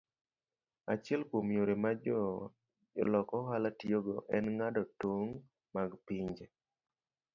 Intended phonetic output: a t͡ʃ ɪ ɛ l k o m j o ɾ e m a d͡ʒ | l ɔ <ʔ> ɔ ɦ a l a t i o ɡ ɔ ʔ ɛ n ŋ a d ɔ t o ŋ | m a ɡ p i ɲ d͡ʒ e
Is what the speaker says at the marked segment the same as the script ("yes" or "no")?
no